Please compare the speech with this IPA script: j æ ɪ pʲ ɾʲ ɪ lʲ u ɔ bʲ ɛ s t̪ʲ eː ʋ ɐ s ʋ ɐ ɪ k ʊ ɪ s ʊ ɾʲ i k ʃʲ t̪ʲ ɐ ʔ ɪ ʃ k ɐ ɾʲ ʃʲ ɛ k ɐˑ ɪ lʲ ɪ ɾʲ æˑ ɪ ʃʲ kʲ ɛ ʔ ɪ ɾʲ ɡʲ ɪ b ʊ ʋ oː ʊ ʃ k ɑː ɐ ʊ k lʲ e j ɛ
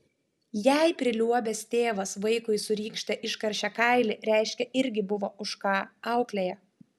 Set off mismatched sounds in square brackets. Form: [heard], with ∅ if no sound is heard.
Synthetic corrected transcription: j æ ɪ pʲ ɾʲ ɪ lʲ u ɔ bʲ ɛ s t̪ʲ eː ʋ ɐ s ʋ ɐ ɪ k ʊ ɪ s ʊ ɾʲ [iː] k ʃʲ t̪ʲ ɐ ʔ ɪ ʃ k ɐ ɾʲ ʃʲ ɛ k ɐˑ ɪ lʲ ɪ ɾʲ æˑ ɪ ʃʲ kʲ ɛ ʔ ɪ ɾʲ ɡʲ ɪ b ʊ ʋ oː ʊ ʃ k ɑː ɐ ʊ k lʲ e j ɛ